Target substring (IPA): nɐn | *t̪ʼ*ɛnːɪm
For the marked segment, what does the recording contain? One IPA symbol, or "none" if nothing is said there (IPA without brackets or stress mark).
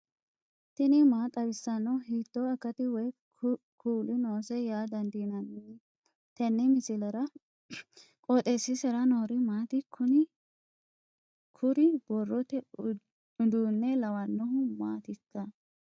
t̪